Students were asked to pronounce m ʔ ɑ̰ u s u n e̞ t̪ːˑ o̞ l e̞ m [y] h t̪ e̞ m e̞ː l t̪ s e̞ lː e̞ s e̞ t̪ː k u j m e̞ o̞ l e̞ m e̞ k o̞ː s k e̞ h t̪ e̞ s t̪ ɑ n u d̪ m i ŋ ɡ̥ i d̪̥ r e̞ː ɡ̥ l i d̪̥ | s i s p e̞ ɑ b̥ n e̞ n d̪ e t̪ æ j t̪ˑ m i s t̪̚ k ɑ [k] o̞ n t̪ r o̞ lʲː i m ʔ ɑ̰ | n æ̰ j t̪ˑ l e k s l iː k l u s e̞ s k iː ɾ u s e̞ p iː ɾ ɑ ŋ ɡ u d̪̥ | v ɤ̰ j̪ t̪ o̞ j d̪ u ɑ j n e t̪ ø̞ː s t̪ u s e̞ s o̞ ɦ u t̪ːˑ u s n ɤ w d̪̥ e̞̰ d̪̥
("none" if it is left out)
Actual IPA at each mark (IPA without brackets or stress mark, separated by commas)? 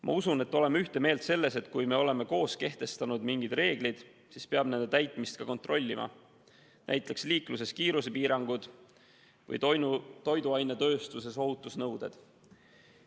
y, k